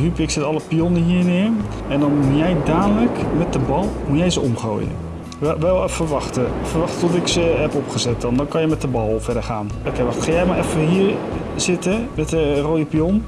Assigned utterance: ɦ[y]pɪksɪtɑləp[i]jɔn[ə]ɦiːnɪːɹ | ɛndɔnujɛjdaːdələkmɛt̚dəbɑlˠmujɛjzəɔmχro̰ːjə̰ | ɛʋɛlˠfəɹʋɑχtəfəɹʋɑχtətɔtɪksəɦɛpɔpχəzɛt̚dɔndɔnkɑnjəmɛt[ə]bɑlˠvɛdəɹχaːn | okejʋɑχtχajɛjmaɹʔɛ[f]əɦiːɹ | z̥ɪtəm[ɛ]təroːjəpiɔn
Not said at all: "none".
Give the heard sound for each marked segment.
y, i, ə, ə, f, ɛ

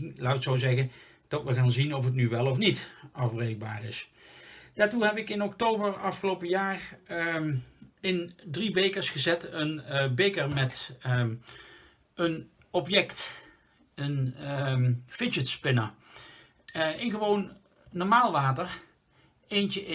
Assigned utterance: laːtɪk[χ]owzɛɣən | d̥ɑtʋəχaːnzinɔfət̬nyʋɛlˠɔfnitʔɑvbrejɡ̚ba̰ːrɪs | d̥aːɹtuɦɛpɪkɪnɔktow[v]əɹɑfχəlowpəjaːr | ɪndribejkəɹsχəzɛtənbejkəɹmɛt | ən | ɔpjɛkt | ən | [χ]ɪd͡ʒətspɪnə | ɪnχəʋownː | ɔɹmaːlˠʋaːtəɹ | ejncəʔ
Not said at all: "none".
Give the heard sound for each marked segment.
s, b, f

